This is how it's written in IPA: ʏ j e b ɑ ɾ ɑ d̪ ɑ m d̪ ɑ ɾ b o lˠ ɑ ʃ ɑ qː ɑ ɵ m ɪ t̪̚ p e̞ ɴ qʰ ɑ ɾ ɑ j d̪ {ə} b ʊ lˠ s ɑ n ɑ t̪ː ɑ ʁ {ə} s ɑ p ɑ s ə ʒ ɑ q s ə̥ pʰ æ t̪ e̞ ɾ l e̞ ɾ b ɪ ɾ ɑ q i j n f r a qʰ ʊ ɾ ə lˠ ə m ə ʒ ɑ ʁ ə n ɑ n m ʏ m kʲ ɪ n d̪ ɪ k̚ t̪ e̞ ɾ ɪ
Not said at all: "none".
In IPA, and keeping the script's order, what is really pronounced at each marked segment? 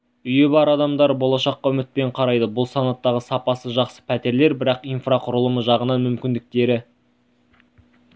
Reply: ə, ə

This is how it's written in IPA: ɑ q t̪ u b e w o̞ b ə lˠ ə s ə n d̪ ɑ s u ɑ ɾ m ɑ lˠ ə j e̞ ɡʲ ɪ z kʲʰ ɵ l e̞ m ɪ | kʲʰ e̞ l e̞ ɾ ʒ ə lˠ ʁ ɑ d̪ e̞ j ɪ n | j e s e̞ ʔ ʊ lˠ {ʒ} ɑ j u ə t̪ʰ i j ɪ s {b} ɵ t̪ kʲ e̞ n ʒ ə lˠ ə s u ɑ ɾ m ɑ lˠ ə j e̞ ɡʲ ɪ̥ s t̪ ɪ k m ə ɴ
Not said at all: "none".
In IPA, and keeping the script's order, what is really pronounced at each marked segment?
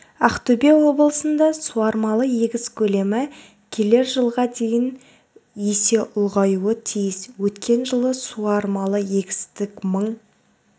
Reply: ʁ, w

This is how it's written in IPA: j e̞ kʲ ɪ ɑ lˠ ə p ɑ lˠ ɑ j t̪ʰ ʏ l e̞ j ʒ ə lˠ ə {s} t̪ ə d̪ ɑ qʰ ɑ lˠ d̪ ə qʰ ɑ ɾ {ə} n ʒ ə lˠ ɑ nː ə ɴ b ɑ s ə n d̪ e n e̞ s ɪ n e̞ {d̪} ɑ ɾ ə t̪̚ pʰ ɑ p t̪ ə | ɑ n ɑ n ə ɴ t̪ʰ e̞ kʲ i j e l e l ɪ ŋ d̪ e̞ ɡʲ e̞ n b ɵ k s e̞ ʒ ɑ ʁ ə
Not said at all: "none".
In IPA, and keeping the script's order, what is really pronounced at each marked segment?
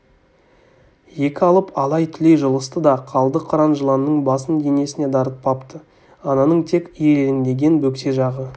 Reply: s, ɑ, d̪

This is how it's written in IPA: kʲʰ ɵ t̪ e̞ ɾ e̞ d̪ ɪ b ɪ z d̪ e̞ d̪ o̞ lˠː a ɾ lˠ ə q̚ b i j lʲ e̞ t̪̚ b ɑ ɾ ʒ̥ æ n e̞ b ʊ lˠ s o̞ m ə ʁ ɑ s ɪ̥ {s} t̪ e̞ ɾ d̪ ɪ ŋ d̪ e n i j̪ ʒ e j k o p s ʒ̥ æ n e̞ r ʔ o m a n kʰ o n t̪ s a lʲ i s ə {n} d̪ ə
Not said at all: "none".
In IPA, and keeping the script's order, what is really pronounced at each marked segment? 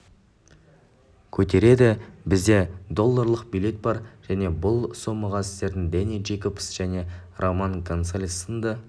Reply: s, n

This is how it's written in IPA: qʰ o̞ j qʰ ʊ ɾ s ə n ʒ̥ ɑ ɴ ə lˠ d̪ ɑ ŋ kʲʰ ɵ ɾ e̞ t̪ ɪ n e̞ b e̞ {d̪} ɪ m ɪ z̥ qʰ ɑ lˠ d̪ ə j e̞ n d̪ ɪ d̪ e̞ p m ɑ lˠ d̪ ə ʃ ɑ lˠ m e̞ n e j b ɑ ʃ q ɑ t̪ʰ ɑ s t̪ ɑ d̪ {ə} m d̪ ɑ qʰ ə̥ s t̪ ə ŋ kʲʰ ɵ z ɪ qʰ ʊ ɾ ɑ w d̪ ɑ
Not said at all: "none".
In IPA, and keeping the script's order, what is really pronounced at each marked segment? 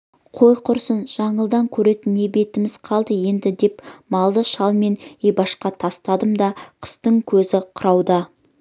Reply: t̪, ə

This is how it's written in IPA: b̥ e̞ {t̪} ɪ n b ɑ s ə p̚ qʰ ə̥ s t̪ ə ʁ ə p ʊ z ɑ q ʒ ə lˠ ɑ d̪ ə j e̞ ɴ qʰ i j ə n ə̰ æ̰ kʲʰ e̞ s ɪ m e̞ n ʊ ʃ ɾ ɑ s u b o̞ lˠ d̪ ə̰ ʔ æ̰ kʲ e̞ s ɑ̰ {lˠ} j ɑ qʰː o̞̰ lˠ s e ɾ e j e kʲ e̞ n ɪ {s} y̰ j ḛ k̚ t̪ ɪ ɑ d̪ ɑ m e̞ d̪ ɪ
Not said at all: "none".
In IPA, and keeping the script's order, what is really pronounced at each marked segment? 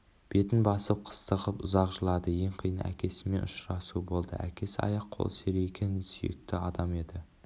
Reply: t̪, none, s

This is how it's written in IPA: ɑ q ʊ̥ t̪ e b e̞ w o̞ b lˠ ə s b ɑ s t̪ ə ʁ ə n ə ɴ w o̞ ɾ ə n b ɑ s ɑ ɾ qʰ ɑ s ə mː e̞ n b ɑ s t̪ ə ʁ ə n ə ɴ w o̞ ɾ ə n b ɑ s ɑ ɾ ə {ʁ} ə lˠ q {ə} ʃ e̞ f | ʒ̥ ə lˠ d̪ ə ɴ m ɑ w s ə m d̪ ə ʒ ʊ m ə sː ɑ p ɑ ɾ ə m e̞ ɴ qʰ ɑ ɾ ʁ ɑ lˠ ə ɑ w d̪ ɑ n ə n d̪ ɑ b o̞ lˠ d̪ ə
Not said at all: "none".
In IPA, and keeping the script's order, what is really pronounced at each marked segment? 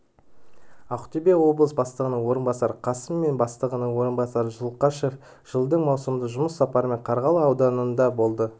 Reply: ʒ, ɑ

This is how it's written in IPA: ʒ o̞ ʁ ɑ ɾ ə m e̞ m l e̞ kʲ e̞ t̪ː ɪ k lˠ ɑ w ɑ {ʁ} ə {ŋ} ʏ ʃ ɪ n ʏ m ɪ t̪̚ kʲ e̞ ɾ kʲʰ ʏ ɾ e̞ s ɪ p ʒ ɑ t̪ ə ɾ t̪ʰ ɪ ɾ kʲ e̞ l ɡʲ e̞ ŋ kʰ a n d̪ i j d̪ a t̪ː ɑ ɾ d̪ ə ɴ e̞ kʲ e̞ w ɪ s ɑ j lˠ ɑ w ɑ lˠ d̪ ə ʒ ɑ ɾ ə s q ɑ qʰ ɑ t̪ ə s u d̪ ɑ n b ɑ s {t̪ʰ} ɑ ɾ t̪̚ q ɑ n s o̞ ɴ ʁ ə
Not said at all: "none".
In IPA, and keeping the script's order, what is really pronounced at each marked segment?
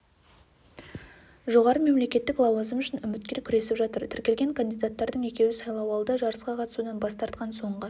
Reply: z, m, t̪

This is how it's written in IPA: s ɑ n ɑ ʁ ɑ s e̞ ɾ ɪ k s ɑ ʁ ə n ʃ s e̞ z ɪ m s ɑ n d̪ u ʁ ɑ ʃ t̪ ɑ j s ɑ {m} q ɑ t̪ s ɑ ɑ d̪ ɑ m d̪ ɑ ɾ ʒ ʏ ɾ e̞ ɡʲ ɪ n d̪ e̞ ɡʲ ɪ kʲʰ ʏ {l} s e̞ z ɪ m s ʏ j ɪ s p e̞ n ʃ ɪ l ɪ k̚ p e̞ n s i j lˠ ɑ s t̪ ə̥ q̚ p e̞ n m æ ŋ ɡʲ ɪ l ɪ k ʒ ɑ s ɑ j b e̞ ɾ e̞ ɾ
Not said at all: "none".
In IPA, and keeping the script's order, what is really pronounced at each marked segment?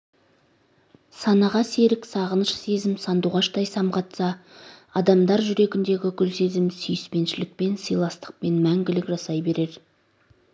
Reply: m, l

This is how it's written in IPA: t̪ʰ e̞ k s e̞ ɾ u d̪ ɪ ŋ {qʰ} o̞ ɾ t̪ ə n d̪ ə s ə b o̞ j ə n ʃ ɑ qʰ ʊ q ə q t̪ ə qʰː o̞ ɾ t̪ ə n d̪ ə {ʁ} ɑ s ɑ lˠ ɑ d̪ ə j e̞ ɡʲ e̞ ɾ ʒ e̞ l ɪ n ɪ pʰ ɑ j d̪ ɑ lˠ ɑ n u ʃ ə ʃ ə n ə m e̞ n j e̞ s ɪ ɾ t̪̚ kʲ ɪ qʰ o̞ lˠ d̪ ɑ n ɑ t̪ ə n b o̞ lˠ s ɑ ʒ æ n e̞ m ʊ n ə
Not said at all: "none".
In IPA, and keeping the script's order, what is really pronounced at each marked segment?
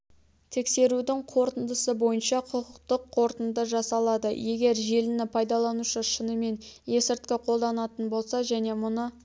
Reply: qʰ, ʒ

